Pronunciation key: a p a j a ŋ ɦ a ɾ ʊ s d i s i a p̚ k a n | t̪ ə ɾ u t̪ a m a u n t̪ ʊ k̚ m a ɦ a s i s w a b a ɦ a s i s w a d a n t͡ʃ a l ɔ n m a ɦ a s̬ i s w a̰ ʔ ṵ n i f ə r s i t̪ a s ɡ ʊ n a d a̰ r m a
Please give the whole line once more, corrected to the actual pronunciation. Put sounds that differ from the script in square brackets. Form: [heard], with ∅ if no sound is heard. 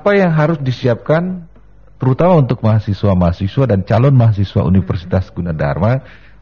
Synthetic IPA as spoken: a p a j a ŋ ɦ a ɾ ʊ s d i s i a p̚ k a n | t̪ ə ɾ u t̪ a m a u n t̪ ʊ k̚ m a ɦ a s i s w a [m] a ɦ a s i s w a d a n t͡ʃ a l ɔ n m a ɦ a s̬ i s w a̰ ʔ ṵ n i f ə r s i t̪ a s ɡ [u] n a d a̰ r m a